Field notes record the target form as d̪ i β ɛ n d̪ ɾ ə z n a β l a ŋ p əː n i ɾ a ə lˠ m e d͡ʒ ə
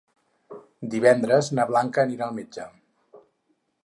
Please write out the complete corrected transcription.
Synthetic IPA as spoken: d̪ i β ɛ n d̪ ɾ ə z n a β l a ŋ k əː n i ɾ a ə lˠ m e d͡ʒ ə